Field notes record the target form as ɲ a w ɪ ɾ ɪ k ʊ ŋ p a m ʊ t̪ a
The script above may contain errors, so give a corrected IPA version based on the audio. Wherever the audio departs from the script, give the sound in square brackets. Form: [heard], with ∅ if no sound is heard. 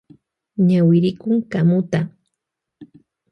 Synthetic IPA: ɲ a w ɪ ɾ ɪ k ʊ ŋ [k] a m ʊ t̪ a